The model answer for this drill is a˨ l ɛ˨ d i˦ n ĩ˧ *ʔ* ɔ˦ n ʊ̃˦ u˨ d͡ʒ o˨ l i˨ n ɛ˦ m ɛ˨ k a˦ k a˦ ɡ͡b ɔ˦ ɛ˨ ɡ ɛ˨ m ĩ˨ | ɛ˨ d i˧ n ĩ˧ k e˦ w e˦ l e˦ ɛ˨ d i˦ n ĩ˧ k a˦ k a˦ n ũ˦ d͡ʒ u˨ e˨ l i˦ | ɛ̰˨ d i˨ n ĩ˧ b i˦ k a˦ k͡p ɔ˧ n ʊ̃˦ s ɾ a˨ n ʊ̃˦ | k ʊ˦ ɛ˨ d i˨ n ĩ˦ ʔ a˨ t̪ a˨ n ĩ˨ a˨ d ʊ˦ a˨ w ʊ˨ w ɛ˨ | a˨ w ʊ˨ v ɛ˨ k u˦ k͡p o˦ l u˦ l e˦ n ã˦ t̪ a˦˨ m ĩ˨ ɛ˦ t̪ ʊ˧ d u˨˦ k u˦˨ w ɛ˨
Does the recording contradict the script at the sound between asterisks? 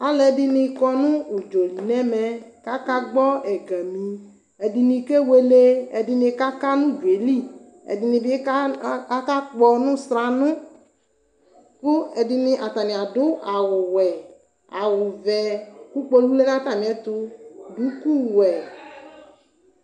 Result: yes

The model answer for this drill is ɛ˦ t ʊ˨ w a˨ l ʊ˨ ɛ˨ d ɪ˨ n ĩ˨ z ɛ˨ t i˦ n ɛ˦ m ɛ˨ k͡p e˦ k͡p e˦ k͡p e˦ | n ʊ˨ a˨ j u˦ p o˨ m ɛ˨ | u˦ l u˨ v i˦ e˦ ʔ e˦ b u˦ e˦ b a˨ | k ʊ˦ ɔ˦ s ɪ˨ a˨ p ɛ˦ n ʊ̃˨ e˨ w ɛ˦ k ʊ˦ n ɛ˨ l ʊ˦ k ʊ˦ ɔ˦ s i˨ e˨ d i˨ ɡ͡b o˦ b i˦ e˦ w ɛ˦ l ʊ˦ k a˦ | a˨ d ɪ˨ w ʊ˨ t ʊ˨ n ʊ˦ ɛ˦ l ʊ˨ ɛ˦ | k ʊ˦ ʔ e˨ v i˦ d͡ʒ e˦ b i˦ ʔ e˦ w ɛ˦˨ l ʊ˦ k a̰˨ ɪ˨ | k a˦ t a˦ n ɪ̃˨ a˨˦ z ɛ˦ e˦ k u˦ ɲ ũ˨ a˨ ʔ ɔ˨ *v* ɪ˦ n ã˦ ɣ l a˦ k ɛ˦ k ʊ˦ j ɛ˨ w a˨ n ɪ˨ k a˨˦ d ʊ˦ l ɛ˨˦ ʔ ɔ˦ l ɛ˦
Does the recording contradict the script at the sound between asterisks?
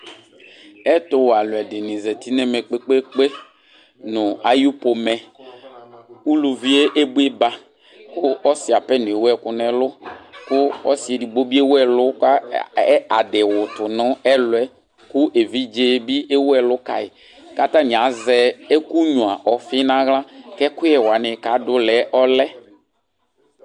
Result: yes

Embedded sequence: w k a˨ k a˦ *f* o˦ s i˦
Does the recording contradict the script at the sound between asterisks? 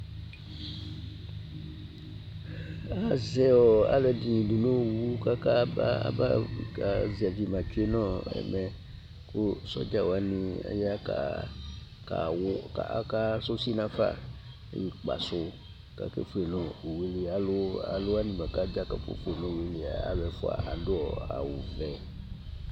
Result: yes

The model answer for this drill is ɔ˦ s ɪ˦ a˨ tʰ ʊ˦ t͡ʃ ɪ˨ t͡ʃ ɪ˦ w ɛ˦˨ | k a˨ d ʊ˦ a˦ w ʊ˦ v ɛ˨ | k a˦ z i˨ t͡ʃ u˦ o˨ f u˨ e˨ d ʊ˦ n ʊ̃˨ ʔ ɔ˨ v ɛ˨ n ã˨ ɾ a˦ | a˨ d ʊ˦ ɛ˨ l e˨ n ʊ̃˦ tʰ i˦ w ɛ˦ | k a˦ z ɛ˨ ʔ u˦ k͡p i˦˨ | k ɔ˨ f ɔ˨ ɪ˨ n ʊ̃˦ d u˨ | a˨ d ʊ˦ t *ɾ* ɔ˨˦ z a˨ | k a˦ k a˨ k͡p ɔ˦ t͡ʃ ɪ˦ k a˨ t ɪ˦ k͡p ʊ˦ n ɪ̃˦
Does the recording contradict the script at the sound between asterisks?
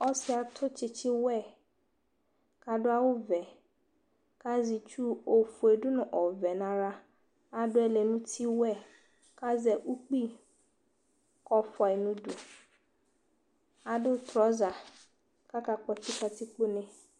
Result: no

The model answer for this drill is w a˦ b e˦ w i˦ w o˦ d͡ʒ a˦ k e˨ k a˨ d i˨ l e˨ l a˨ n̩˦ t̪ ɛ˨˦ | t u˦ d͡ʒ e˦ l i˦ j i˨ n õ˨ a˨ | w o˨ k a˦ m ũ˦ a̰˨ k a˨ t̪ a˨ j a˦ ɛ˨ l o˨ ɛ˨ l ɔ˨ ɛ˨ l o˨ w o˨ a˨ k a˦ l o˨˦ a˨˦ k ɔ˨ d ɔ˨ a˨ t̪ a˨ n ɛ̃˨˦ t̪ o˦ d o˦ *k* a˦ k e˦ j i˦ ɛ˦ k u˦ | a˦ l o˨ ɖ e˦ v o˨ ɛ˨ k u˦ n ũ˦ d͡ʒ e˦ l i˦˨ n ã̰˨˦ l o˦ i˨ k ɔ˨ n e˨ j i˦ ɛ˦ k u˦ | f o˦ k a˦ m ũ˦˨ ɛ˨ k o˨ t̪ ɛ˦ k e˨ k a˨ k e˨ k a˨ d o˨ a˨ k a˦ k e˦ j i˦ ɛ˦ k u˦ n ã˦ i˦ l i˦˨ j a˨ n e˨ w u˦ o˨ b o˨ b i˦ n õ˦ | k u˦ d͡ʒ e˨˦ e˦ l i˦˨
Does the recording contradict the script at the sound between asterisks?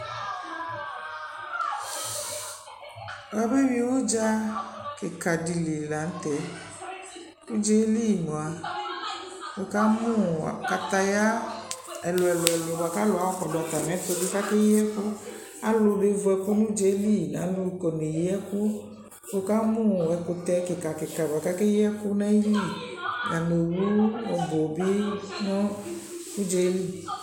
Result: no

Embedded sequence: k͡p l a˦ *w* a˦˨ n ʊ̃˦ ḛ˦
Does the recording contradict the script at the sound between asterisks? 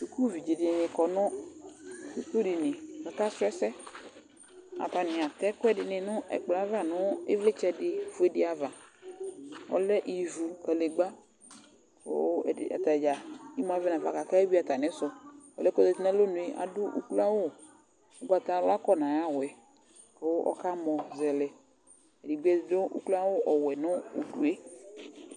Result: yes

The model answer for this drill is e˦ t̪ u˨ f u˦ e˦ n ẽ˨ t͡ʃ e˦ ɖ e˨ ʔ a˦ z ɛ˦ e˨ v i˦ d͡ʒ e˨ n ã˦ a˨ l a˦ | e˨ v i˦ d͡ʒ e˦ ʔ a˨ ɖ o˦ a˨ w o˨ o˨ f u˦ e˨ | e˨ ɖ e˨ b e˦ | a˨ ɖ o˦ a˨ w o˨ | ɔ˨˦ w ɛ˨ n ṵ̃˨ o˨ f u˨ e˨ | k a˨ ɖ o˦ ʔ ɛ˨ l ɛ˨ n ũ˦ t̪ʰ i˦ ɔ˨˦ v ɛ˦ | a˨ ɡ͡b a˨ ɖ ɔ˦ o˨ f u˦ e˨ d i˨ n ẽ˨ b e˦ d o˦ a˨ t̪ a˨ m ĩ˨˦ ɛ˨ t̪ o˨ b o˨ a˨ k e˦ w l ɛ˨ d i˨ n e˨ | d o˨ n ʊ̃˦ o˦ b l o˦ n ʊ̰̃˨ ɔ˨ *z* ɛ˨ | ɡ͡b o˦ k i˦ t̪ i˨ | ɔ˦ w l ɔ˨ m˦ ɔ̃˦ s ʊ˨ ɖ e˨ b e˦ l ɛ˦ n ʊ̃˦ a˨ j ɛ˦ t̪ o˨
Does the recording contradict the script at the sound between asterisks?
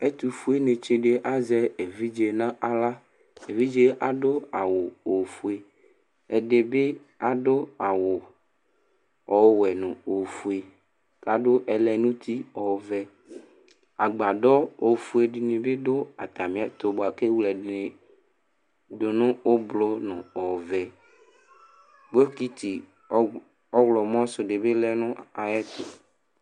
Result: yes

